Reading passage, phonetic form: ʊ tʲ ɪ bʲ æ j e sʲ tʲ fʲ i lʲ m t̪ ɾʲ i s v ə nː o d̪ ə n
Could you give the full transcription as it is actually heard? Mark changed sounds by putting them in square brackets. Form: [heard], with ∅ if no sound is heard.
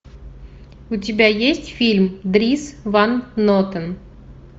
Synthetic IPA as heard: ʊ tʲ ɪ bʲ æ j e sʲ tʲ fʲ i lʲ m [d̪] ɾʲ i s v [a] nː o [t̪] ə n